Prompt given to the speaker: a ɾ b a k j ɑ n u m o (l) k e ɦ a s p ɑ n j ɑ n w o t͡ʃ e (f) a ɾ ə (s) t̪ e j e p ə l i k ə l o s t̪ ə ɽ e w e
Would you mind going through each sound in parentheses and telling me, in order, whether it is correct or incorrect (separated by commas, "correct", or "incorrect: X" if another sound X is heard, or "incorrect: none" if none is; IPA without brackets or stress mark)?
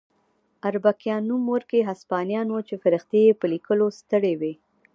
incorrect: ɾ, correct, incorrect: x